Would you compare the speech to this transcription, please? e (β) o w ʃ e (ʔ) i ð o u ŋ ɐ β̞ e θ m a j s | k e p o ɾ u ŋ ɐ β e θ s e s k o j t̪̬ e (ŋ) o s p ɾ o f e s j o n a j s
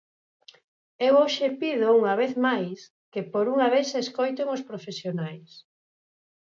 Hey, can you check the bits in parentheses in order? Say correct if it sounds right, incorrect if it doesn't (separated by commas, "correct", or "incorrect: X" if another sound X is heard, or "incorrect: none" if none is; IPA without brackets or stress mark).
incorrect: w, incorrect: p, correct